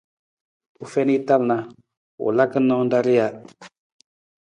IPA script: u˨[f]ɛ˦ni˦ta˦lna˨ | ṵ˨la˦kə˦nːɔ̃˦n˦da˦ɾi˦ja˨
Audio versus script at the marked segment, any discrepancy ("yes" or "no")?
no